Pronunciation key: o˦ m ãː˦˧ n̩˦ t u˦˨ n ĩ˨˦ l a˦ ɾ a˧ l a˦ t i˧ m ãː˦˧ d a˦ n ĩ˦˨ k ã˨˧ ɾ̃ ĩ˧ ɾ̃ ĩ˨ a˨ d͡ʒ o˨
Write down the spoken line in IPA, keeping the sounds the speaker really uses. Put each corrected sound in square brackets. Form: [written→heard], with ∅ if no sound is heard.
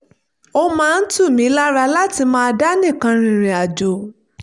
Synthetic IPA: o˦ m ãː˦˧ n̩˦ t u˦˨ [n→m] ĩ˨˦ l a˦ ɾ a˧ l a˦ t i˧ m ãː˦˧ d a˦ n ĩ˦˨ k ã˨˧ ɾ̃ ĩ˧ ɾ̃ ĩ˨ a˨ d͡ʒ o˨